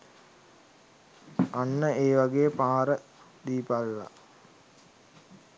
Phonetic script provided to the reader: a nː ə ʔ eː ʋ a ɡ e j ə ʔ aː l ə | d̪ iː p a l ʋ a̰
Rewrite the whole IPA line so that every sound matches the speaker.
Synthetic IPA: a nː ə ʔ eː ʋ a ɡ e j ə p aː ɾ ə | d̪ iː p a l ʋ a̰